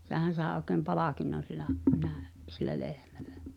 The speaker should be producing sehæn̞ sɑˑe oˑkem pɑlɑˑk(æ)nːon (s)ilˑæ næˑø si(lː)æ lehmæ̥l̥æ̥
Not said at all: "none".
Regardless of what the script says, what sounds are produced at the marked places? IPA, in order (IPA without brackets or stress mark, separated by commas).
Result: i, s, lː